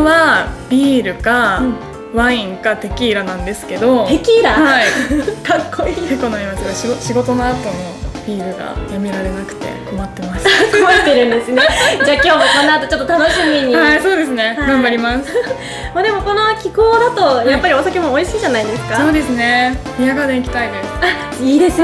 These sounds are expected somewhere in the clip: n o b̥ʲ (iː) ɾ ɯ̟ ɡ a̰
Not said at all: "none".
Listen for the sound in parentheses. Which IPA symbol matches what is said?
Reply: iː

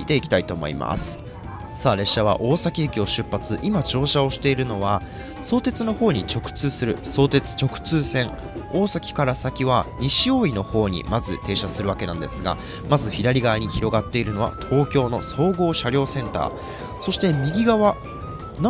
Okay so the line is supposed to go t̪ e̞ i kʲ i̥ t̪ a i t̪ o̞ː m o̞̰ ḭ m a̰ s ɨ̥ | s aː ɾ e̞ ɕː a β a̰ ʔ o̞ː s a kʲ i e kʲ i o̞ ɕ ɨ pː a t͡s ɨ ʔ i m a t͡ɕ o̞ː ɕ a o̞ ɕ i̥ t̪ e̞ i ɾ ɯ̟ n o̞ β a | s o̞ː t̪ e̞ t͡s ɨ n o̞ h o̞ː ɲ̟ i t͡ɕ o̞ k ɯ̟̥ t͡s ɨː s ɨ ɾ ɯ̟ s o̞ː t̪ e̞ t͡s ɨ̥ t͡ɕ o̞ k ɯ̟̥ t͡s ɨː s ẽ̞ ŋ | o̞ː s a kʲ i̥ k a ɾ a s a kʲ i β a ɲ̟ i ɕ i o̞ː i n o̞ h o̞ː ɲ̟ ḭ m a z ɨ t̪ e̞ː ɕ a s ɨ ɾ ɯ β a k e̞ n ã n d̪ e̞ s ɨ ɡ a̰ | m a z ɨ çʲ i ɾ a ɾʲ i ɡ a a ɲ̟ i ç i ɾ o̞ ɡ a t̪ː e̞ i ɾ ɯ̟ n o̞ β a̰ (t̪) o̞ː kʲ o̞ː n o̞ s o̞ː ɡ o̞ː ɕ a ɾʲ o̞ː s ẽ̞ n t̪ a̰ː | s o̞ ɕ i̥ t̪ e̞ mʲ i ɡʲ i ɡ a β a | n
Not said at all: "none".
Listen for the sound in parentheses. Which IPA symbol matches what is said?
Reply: t̪ʰ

